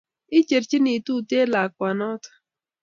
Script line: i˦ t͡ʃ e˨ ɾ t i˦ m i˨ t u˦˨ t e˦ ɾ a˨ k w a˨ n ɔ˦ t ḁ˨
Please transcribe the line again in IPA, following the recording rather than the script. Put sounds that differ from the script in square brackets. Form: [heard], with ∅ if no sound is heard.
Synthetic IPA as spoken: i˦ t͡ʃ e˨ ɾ [t͡ʃ] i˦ [n] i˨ t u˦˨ t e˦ [l] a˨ k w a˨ n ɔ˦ t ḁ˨